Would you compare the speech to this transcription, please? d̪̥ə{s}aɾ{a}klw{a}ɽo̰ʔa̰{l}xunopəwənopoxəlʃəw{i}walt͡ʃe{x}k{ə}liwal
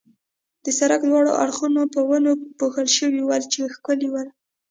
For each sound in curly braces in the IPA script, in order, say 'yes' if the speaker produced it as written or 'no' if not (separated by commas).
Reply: yes, yes, no, no, yes, yes, yes